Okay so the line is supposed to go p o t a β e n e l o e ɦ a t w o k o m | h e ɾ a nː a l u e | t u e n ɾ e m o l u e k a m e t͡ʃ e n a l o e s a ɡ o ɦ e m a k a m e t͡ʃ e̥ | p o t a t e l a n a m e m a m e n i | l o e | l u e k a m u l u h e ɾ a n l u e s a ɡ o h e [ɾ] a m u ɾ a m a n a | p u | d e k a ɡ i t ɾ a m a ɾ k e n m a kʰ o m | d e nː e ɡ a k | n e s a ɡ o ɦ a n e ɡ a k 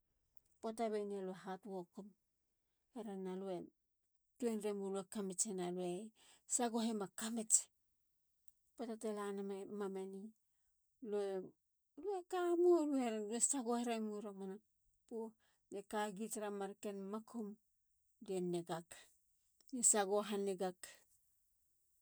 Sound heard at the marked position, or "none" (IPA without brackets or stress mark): ɾ